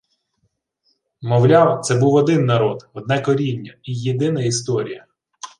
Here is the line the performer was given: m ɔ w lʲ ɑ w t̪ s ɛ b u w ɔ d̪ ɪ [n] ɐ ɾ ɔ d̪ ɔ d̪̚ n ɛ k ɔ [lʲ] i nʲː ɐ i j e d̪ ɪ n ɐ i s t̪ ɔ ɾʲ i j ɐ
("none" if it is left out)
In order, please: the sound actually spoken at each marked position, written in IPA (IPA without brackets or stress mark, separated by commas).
nː, ɾʲ